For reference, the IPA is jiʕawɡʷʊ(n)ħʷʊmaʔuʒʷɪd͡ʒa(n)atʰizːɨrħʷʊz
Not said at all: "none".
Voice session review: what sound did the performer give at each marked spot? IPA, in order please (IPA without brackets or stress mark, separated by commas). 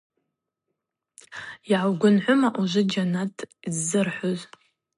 n, n